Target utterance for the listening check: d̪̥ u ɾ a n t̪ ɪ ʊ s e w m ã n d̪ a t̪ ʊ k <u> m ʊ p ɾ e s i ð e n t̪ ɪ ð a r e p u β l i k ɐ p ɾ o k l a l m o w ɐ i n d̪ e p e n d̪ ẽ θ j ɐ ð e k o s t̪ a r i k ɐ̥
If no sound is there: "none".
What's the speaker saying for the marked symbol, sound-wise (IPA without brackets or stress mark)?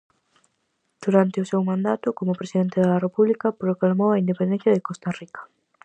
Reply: o